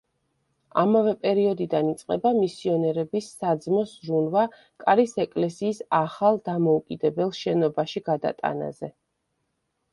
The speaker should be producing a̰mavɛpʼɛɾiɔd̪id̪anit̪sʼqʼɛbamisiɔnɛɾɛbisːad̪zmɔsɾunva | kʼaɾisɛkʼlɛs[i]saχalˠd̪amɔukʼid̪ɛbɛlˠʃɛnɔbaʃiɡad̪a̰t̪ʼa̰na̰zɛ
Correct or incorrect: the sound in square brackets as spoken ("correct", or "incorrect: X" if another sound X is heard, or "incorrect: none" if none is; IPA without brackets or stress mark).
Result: incorrect: iː